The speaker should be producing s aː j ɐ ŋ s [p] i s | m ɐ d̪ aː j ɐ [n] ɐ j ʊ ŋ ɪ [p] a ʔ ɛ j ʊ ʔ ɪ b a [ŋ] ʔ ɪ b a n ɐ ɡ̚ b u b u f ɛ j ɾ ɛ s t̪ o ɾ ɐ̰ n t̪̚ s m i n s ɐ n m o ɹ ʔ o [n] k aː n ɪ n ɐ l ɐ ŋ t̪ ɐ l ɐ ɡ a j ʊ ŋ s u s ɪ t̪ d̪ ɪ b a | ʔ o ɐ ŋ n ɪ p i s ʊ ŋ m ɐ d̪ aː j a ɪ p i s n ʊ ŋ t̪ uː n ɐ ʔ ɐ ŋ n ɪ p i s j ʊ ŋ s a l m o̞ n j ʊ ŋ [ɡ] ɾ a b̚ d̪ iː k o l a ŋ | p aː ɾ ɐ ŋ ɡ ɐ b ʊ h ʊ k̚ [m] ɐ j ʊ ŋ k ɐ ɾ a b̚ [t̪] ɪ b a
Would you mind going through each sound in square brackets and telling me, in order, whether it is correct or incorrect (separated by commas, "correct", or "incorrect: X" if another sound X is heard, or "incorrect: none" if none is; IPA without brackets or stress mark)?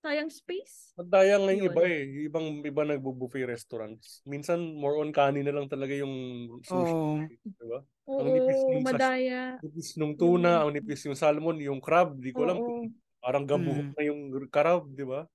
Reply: correct, incorrect: ŋ, incorrect: b, correct, correct, incorrect: k, incorrect: ŋ, incorrect: d̪